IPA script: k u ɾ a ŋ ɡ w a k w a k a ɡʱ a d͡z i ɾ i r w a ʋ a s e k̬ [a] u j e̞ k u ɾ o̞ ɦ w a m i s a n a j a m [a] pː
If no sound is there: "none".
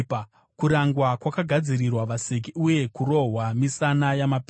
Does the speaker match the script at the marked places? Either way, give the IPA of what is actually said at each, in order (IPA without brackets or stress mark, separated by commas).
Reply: i, a